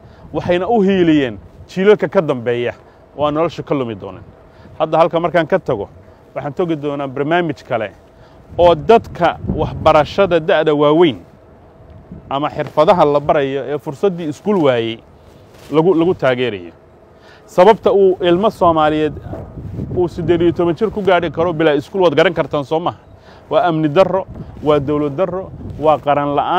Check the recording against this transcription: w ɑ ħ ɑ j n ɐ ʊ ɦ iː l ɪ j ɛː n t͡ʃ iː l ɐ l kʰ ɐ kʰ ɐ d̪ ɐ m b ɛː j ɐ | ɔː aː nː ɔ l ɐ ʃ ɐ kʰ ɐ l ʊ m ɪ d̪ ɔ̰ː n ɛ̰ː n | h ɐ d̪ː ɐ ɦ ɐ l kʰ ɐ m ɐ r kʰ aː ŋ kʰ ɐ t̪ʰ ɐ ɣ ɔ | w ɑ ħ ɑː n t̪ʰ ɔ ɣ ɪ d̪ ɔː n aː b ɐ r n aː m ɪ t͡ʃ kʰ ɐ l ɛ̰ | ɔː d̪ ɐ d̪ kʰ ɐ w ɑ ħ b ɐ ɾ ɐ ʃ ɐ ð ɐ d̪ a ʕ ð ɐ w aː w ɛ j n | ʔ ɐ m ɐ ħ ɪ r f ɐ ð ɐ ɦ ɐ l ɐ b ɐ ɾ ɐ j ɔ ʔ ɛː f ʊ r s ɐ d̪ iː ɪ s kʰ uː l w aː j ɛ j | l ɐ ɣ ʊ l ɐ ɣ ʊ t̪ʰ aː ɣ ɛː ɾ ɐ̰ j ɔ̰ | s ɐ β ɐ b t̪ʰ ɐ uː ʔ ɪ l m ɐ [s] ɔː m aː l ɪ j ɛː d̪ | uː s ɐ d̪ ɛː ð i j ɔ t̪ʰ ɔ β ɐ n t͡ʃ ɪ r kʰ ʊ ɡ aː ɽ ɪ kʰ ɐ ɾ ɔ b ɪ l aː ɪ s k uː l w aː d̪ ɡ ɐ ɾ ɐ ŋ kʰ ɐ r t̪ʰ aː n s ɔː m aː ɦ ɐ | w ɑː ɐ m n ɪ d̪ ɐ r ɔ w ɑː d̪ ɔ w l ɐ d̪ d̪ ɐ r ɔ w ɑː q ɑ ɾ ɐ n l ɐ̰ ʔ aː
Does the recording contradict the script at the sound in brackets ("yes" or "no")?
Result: no